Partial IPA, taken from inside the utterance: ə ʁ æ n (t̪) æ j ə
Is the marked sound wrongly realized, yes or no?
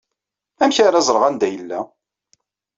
yes